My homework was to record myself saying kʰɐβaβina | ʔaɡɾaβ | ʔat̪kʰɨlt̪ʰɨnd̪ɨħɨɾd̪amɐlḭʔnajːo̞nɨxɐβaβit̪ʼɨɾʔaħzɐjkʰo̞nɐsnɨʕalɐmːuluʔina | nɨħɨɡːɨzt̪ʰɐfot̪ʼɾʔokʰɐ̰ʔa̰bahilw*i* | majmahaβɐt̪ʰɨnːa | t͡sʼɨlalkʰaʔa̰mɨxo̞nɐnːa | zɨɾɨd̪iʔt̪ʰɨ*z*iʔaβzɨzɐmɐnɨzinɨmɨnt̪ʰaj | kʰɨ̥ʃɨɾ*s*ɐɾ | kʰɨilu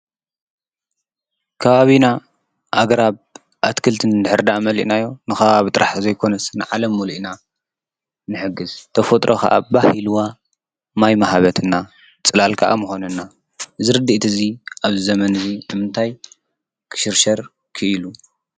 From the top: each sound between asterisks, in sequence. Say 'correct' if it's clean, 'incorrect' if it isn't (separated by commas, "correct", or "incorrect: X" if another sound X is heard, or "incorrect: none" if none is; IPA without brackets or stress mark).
incorrect: a, correct, incorrect: ʃ